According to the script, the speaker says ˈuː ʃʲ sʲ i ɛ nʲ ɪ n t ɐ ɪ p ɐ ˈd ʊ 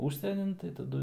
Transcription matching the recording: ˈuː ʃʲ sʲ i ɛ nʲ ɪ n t ɐ ɪ t ɐ ˈd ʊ